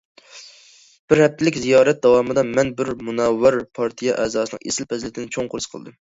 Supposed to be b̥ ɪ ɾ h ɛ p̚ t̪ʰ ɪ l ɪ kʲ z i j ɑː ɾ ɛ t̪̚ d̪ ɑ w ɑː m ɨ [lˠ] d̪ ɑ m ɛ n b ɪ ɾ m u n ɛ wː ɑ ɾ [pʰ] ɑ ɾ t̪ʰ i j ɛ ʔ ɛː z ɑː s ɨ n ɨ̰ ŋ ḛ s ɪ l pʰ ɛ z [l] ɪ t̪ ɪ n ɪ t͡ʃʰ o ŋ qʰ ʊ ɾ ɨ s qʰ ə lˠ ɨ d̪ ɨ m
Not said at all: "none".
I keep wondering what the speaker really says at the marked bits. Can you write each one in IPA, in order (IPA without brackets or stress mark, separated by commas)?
none, pʰ, l